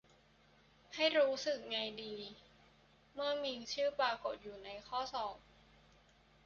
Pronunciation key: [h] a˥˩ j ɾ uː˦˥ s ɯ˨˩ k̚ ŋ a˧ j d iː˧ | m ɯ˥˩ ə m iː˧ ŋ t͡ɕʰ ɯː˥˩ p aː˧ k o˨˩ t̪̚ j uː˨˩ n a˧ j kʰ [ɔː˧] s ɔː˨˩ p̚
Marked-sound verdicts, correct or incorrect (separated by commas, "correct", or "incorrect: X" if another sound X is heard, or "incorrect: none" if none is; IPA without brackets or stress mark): correct, incorrect: ɔː˥˩